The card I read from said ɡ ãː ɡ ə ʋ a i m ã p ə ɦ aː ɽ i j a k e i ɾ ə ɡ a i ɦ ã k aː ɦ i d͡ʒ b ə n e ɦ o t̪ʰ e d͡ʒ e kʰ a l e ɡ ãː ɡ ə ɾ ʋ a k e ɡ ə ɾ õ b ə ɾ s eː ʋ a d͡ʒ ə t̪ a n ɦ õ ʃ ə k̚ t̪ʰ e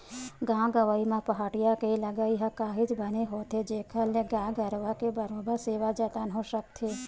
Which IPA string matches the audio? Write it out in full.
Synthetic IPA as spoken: ɡ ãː ɡ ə ʋ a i m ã p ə ɦ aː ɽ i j a k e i l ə ɡ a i ɦ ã k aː ɦ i d͡ʒ b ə n e ɦ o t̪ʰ e d͡ʒ e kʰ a l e ɡ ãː ɡ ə ɾ ʋ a k e b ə ɾ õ b ə ɾ s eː ʋ a d͡ʒ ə t̪ a n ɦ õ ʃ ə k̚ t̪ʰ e